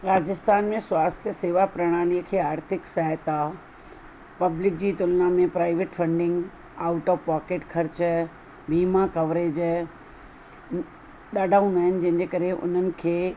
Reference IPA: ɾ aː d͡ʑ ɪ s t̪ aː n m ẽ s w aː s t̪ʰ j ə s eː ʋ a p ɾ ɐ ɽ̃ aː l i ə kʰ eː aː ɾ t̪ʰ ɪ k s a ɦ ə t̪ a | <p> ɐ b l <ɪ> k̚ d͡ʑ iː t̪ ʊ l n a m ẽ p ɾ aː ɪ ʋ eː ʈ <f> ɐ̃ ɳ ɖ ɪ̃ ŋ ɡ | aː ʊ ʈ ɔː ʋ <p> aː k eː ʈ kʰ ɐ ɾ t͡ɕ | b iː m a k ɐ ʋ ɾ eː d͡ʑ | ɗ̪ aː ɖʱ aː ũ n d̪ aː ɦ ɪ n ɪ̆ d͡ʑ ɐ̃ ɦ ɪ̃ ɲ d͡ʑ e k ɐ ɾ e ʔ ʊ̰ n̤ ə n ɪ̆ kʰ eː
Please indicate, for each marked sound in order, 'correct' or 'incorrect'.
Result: correct, correct, correct, correct

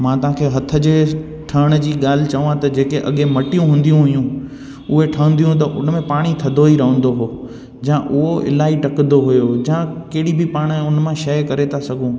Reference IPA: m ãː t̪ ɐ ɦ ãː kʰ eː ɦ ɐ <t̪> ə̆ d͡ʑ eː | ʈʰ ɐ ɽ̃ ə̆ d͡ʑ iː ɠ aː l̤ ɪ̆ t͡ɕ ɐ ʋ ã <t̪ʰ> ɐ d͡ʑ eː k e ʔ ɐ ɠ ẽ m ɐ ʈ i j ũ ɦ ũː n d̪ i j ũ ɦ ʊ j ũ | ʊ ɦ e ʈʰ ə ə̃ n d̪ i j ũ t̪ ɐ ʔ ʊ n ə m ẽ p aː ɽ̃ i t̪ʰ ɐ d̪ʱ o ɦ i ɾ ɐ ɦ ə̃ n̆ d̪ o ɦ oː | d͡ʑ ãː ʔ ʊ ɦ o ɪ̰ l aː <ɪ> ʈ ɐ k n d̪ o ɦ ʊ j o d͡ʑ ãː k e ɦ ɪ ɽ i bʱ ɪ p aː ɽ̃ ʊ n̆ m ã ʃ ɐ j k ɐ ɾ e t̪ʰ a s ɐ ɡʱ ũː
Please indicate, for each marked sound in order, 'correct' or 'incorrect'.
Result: incorrect, incorrect, incorrect

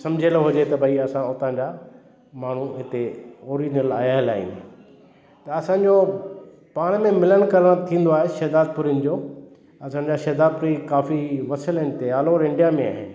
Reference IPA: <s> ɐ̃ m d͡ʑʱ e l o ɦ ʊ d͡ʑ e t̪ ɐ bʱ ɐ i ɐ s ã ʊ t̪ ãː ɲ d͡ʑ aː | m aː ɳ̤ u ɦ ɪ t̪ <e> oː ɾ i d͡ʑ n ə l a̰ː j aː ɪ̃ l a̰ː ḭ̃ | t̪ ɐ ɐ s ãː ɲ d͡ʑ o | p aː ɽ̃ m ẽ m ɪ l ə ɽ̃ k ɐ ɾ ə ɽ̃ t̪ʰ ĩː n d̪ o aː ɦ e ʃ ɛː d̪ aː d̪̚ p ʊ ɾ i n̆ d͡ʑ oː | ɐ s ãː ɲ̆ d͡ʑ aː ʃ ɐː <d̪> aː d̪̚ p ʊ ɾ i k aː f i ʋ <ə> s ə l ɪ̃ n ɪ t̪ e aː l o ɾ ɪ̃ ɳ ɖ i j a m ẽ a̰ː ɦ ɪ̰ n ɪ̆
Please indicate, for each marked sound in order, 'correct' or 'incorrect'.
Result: correct, correct, correct, incorrect

